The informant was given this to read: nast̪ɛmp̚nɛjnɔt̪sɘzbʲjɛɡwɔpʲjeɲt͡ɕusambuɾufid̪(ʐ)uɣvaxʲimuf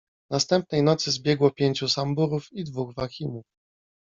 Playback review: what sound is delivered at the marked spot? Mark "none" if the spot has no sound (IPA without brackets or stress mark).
v